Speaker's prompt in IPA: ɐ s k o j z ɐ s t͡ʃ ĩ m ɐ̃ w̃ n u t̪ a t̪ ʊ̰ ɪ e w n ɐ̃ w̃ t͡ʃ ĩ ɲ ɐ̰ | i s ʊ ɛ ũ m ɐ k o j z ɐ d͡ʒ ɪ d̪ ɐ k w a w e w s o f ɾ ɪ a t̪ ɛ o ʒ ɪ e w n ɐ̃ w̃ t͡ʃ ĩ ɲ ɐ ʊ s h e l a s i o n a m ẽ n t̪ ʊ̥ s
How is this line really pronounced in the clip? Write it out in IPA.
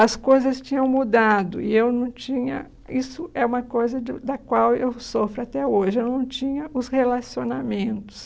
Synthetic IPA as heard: ɐ s k o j z ɐ s t͡ʃ ĩ ɲ ɐ̃ w̃ m u d̪ a d̪ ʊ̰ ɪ e w n ɐ̃ w̃ t͡ʃ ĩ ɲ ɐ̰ | i s ʊ ɛ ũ m ɐ k o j z ɐ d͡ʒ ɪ d̪ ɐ k w a w e w s o f ɾ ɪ a t̪ ɛ o ʒ ɪ e w n ɐ̃ w̃ t͡ʃ ĩ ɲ ɐ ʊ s h e l a s i o n a m ẽ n t̪ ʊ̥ s